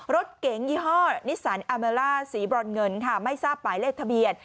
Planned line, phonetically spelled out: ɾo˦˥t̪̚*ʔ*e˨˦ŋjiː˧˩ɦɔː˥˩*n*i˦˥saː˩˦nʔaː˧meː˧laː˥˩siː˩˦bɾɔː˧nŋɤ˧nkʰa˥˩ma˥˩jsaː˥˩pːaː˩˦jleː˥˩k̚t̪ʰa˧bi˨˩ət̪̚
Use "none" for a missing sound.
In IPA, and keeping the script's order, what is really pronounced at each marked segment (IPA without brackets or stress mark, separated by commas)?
k, n